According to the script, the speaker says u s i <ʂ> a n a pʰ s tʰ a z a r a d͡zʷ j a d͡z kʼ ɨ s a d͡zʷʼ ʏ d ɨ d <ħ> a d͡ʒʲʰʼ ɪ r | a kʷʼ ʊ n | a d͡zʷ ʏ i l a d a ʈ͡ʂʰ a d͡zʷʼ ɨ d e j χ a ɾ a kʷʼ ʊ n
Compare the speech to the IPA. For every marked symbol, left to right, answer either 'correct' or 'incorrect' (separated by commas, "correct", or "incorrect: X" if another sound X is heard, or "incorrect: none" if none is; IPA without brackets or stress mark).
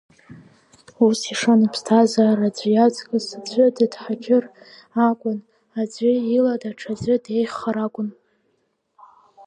correct, correct